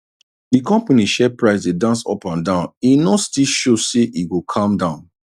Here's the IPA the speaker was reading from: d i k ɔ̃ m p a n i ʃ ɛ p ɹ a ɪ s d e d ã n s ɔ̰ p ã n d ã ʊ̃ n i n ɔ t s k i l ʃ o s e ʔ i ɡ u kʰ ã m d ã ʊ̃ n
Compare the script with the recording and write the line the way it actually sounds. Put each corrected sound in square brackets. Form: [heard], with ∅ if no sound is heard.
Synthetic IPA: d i k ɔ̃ m p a n i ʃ ɛ p ɹ a ɪ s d e d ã n s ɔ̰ p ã n d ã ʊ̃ n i n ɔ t s [t] i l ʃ o s e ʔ i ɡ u kʰ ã m d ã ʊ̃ n